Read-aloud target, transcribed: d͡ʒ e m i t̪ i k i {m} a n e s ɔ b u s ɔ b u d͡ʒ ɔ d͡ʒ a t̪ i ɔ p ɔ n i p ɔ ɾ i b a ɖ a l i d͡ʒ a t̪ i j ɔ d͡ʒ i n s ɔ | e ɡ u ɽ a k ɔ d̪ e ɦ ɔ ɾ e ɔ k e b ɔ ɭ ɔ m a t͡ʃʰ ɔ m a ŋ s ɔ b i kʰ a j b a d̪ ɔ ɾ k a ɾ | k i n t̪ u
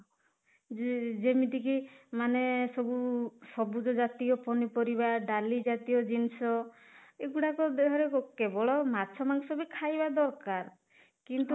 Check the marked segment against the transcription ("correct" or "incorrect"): correct